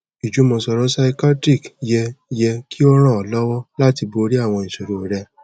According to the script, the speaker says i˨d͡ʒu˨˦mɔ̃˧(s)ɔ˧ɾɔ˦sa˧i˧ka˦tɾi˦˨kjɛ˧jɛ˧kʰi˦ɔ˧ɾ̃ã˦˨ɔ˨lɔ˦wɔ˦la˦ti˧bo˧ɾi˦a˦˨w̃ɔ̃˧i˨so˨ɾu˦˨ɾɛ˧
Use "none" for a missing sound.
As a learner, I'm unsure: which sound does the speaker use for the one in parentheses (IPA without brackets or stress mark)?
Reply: s